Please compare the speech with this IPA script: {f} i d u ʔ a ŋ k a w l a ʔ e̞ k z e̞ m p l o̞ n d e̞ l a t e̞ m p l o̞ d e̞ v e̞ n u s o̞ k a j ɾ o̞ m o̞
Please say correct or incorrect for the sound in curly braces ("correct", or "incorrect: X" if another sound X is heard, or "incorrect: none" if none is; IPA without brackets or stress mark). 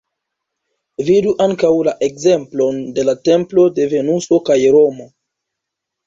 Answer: incorrect: v